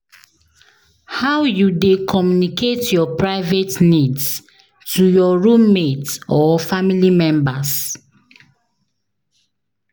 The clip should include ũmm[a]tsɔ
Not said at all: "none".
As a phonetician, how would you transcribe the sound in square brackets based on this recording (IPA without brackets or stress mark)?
e